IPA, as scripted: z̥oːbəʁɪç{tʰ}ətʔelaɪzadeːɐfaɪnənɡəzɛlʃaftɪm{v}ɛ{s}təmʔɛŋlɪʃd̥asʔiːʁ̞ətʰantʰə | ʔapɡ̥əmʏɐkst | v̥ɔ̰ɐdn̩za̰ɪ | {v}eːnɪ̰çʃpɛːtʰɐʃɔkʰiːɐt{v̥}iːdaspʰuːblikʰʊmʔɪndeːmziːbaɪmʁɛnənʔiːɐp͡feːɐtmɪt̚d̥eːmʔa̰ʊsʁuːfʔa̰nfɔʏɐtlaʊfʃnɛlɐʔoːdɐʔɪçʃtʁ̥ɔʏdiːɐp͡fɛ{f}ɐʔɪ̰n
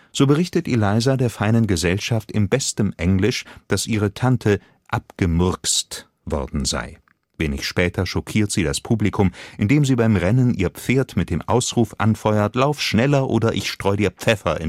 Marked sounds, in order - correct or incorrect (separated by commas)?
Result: incorrect, incorrect, correct, correct, incorrect, correct